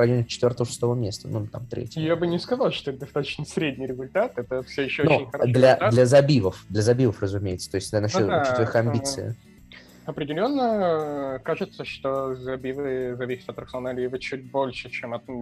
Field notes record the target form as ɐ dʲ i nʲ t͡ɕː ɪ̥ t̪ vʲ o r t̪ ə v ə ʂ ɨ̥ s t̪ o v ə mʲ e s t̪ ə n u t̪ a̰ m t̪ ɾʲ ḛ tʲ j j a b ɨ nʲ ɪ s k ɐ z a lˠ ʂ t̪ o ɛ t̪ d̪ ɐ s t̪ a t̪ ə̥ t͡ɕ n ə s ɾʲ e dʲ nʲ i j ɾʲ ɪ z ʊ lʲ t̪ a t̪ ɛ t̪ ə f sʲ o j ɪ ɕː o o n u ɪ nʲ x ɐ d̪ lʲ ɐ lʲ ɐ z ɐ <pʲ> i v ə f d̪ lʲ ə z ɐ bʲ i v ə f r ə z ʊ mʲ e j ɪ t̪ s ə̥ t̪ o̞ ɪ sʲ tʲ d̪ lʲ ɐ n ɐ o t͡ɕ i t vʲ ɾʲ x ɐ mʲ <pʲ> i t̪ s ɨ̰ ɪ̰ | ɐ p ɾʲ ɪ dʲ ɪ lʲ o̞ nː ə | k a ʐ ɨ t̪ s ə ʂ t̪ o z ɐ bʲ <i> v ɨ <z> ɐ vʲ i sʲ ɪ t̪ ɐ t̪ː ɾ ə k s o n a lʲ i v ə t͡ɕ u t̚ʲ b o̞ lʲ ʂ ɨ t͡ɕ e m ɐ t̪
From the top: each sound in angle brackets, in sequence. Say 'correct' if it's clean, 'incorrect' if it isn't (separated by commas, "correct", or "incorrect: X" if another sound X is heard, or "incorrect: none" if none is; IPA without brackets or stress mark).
incorrect: bʲ, incorrect: bʲ, correct, correct